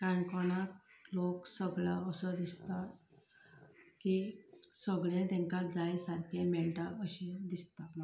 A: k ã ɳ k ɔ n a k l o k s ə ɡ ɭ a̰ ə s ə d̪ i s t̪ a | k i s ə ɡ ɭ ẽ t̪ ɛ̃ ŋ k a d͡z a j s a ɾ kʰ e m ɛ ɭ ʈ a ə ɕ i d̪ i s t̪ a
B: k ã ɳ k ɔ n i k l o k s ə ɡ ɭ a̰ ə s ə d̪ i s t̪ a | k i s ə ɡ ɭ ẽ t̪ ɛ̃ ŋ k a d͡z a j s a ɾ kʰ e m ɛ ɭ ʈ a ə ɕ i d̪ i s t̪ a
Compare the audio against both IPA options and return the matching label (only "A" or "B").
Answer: A